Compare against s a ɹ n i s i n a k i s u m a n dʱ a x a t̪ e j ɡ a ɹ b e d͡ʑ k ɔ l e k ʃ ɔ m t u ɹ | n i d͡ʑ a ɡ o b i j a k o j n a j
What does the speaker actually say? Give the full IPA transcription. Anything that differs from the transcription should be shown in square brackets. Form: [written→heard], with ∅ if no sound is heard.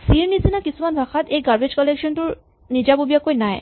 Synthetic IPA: s [a→i] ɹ n i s i n a k i s u m a n [dʱ→bʱ] a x a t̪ e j ɡ a ɹ b e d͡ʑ k ɔ l e k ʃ ɔ [m→n] t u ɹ | n i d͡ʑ a [ɡ→b] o b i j a k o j n a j